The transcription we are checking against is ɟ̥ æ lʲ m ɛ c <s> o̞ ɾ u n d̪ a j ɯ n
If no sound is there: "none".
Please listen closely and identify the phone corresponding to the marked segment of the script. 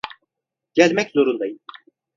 z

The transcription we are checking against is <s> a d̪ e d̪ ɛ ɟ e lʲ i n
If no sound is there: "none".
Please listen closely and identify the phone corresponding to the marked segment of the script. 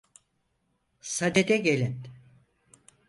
s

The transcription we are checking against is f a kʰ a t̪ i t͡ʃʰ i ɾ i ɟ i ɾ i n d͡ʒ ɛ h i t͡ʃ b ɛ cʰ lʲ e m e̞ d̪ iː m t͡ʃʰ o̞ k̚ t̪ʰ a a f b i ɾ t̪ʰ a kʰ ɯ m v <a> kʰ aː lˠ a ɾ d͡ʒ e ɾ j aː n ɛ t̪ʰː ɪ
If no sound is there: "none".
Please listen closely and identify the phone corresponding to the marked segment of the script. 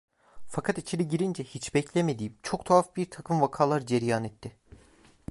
a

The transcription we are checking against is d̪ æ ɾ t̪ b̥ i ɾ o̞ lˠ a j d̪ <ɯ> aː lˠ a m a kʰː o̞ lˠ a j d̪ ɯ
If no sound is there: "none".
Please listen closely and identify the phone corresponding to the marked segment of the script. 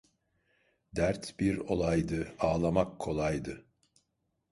ɯ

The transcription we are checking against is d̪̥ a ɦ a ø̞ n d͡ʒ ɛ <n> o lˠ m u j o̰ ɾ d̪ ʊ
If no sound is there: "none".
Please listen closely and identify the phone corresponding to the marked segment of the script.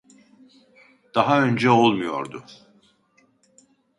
none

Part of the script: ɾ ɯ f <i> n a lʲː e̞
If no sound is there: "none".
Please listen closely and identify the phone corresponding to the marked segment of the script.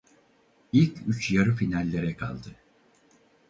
i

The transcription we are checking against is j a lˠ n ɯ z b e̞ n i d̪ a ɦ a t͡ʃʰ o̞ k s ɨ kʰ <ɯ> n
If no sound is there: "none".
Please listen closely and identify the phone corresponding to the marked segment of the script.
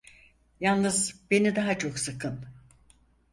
ɯ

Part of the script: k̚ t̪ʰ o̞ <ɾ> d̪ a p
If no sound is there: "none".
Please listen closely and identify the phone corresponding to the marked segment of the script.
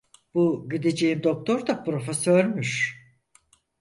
ɾ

